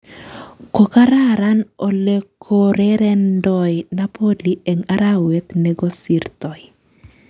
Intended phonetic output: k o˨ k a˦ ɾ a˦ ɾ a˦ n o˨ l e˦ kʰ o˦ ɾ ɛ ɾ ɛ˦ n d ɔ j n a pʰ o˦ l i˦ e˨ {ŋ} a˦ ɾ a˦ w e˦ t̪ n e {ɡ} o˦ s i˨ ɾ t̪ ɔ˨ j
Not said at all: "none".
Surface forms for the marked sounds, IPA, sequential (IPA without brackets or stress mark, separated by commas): ŋ, ɡ